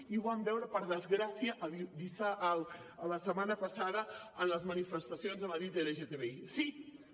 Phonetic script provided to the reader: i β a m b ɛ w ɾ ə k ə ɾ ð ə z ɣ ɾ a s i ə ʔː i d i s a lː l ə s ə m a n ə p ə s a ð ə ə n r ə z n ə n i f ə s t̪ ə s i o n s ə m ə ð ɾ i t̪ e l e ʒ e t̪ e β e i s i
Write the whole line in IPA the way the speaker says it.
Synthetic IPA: i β a m b ɛ w ɾ ə p ə ɾ ð ə z ɣ ɾ a s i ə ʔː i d i s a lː l ə s ə m a n ə p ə s a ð ə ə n l ə z m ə n i f ə s t̪ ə s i o n z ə m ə ð ɾ i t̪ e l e ʒ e t̪ e β e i s i